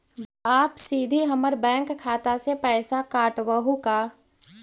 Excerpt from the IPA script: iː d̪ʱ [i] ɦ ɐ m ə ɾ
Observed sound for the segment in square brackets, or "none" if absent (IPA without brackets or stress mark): i